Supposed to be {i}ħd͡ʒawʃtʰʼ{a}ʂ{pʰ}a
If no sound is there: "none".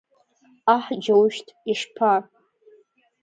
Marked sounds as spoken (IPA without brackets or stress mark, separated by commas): a, i, pʰ